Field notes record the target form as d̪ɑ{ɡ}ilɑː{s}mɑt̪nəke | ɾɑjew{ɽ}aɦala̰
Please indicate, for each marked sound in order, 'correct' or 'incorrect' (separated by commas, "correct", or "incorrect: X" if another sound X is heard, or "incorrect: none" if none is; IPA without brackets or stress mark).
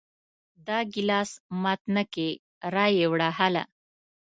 correct, correct, correct